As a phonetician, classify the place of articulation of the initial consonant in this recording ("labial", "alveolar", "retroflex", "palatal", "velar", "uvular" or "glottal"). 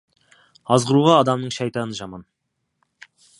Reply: alveolar